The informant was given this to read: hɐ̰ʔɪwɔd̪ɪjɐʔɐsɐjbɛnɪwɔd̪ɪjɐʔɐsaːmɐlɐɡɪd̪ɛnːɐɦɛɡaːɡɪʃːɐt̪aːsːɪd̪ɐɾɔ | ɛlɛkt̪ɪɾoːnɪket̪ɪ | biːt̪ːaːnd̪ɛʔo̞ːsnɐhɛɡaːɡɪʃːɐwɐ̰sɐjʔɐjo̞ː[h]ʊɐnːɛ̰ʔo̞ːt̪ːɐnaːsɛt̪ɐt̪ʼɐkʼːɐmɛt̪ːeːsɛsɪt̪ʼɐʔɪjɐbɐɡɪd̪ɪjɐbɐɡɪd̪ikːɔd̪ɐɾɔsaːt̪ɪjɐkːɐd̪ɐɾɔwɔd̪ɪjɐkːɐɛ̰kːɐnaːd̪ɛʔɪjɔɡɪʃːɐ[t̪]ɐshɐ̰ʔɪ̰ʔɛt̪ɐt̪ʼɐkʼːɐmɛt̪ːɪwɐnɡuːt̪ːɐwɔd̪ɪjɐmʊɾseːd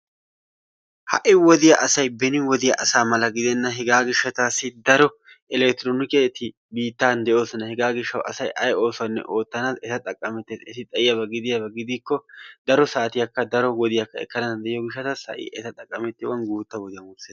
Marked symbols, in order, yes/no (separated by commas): no, yes